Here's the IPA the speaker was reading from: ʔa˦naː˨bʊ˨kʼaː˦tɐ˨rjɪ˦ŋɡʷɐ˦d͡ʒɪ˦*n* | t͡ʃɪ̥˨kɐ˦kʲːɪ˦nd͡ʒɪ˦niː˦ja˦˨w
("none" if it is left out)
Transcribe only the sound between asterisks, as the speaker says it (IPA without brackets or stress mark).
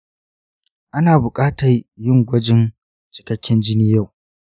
n